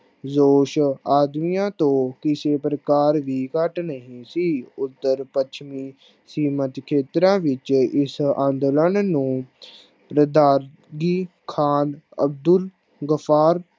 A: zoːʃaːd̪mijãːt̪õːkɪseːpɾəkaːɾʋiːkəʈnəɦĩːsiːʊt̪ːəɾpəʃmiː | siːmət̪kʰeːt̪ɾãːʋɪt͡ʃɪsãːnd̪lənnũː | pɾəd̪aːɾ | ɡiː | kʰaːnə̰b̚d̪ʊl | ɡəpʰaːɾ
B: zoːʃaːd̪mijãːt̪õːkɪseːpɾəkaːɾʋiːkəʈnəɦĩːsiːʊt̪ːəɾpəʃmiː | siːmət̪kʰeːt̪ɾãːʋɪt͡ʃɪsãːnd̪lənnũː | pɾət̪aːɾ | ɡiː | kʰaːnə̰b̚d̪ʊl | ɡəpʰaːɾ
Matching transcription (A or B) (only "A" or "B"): A